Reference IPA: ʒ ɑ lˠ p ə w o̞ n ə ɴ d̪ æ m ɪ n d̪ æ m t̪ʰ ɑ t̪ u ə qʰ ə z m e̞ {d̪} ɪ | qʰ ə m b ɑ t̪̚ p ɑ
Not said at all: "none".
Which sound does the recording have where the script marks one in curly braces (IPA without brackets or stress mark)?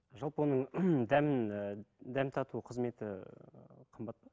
t̪